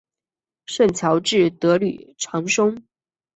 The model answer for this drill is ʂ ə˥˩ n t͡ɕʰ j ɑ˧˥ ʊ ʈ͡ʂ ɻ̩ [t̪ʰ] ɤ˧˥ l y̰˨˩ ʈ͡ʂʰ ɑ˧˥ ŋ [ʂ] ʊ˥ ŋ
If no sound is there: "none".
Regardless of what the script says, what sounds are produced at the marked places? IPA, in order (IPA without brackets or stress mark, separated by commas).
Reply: t̪, ʂ